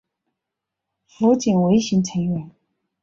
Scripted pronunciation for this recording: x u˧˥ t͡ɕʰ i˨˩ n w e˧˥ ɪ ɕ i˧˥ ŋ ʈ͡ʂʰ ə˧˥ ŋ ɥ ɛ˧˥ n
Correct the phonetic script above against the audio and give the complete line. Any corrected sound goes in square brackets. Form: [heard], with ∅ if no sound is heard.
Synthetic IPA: [f] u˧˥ [t͡ɕ] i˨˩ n w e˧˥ ɪ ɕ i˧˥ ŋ ʈ͡ʂʰ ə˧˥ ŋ ɥ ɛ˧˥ n